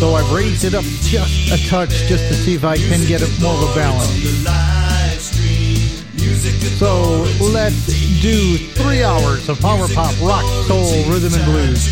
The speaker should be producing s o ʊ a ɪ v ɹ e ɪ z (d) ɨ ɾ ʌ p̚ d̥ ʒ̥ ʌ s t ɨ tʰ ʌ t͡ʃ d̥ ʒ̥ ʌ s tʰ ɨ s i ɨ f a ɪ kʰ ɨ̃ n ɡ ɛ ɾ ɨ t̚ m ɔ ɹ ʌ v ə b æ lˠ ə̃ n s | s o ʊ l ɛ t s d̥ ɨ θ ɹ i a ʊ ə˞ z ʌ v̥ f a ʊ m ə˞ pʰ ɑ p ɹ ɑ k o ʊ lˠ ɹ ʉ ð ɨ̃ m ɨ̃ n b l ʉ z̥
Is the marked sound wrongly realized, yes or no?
no